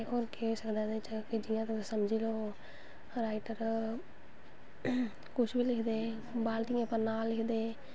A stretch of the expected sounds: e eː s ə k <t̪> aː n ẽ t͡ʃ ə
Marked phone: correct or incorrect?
incorrect